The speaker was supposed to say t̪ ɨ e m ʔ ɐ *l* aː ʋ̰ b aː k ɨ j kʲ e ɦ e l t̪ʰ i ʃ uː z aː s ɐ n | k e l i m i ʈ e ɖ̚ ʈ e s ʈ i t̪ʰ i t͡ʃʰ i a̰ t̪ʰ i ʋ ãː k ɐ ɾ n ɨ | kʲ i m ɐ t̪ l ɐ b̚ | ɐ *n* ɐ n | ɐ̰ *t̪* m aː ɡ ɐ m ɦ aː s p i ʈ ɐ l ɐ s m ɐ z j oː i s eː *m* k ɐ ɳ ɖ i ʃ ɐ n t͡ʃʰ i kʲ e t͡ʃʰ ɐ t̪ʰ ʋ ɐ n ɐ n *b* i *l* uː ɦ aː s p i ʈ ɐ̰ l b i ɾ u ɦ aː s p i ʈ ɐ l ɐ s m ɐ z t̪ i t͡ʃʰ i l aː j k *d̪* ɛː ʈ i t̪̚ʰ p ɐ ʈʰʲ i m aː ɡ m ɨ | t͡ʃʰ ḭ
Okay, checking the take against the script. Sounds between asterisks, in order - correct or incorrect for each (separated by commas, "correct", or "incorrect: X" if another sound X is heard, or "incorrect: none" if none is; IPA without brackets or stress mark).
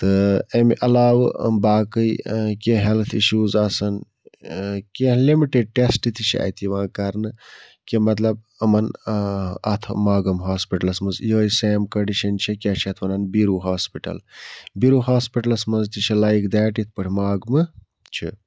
correct, incorrect: m, incorrect: t̪ʰ, correct, correct, incorrect: ɾ, correct